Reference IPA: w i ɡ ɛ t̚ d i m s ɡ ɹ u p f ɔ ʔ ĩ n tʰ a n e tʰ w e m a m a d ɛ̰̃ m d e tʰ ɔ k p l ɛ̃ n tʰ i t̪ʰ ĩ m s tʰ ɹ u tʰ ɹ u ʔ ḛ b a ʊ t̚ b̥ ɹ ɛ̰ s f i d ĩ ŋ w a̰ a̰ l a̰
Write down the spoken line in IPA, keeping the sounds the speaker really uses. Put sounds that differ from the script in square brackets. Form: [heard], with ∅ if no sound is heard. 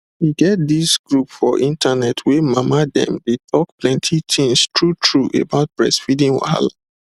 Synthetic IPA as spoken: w i ɡ ɛ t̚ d i [∅] s ɡ ɹ u p f ɔ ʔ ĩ n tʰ a n [ɛ] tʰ w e m a m a d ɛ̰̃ m d e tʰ ɔ k p l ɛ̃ n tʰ i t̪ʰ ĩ [ŋ] s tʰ ɹ u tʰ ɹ u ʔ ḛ b a ʊ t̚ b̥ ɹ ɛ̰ s f i d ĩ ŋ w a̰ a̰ l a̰